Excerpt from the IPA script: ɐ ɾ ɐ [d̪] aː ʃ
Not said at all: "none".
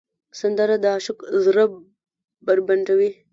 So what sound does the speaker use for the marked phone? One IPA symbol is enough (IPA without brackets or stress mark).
d̪